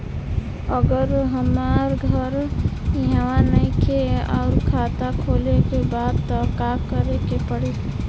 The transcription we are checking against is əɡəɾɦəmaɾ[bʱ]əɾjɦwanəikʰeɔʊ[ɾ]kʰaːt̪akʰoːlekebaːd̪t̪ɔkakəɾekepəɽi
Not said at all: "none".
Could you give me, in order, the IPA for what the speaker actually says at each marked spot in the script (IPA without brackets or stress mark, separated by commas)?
ɡʱ, ɾ